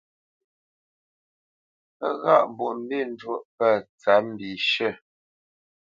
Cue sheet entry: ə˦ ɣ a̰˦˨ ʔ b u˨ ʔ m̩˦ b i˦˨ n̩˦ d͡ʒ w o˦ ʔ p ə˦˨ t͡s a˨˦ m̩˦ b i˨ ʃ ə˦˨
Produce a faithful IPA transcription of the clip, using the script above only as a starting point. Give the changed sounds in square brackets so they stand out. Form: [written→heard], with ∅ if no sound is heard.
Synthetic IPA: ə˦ ɣ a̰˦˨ ʔ b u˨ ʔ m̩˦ b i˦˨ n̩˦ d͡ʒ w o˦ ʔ p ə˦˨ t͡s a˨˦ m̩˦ b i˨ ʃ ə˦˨